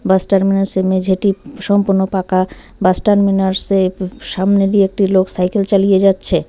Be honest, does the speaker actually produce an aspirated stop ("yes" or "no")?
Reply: no